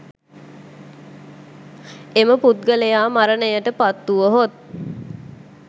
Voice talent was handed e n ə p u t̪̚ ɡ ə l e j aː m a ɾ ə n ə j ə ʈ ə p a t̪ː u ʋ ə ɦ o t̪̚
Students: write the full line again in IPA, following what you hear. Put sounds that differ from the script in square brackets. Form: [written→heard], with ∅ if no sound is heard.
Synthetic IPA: e [n→m] ə p u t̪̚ ɡ ə l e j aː m a ɾ ə n ə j ə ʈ ə p a t̪ː u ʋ ə ɦ o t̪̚